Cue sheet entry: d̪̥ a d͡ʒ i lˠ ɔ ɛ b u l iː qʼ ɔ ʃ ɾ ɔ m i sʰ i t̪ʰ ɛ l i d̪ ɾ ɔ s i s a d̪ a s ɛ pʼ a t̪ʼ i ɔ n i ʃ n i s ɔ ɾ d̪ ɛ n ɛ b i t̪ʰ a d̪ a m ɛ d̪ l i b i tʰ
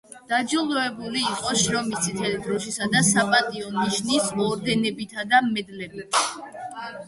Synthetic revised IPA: d̪̥ a d͡ʒ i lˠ ɔ ɛ b u l iː qʼ ɔ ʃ ɾ ɔ m i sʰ i t̪ʰ ɛ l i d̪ ɾ ɔ ʃ i s a d̪ a s a pʼ a t̪ʼ i ɔ n i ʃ n i s ɔ ɾ d̪ ɛ n ɛ b i t̪ʰ a d̪ a m ɛ d̪ l ɛ b i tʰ